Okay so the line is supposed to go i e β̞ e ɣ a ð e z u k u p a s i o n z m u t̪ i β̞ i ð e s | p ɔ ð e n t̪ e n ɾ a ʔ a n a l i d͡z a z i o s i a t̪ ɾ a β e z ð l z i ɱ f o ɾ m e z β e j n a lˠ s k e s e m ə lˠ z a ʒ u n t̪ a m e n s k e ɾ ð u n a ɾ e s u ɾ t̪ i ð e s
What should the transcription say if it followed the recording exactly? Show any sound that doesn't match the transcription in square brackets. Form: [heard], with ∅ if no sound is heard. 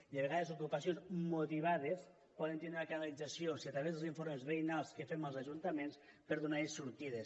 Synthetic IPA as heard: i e β̞ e ɣ a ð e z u k u p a s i o n z m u t̪ i β̞ [a] ð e s | p ɔ ð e n t̪ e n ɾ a [k] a n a l i d͡z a [s] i o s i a t̪ ɾ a β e z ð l z i ɱ f o ɾ m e z β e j n a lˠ s k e [f] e m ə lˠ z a ʒ u n t̪ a m e n s [p] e ɾ ð u n a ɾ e s u ɾ t̪ i ð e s